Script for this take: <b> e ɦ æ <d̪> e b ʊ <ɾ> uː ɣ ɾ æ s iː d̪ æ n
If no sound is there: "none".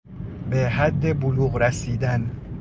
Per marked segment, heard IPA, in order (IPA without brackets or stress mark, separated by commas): b, d̪ː, l